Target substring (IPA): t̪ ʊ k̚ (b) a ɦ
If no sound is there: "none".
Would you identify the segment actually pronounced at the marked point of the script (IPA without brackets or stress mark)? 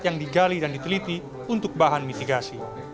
b